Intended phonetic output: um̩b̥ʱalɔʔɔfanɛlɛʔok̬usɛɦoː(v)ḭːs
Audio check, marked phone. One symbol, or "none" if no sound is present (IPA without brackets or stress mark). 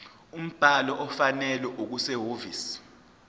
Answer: v